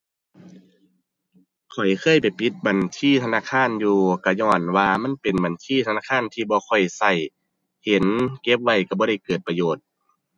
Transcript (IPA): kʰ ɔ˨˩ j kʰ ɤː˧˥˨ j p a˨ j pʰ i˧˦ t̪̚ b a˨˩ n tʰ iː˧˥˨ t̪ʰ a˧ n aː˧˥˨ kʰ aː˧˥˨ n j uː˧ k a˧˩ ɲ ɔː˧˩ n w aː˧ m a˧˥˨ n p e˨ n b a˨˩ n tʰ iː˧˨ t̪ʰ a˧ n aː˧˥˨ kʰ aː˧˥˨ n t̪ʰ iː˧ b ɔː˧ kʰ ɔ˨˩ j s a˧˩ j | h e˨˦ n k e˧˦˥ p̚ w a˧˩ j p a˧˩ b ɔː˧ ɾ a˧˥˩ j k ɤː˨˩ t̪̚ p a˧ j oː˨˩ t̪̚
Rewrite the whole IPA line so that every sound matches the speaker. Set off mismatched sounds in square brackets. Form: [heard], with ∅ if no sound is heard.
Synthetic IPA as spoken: kʰ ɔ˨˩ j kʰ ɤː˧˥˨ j p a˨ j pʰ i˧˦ t̪̚ b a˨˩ n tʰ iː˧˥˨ t̪ʰ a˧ n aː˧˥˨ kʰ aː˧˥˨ n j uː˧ k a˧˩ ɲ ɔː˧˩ n w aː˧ m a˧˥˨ n p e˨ n b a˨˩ n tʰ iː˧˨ t̪ʰ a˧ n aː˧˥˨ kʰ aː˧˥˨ n t̪ʰ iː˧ b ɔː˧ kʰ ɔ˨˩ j s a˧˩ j | h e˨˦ n k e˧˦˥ p̚ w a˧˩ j [k] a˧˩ b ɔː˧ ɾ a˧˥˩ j k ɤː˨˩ t̪̚ p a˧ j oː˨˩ t̪̚